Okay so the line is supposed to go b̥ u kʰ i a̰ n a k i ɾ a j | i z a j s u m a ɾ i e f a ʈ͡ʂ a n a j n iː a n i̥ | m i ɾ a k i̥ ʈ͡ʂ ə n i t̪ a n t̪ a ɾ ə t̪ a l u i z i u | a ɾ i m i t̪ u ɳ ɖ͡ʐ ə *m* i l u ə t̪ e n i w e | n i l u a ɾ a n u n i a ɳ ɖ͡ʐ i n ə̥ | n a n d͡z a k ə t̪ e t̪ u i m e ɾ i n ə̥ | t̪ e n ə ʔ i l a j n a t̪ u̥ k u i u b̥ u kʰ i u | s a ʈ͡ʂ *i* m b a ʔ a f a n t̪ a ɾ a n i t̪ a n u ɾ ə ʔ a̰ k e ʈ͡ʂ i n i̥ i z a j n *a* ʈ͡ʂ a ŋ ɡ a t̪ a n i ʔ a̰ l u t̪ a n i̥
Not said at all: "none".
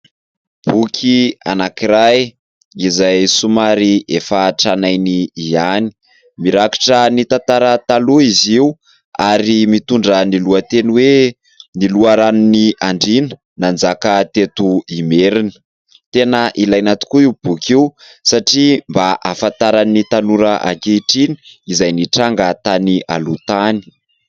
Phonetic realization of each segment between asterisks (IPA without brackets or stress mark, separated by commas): n, i, i